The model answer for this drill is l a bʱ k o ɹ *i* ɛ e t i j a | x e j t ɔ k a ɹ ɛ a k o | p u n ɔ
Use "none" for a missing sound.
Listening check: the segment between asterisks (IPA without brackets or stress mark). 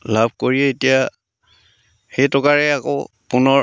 i